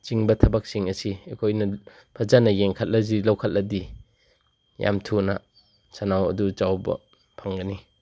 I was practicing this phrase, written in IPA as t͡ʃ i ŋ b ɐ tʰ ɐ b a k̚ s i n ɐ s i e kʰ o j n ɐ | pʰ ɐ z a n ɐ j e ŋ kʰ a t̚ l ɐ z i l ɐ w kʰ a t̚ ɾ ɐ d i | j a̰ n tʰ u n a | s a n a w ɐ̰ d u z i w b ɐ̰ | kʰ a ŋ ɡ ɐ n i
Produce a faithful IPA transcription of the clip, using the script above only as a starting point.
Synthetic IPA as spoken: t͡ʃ i ŋ b ɐ tʰ ɐ b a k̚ s i ŋ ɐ s i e kʰ o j n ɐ | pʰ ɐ z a n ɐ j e ŋ kʰ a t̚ l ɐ z i l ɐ w kʰ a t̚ l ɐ d i | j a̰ m tʰ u n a | s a n a w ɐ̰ d u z a w b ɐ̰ | pʰ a ŋ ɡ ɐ n i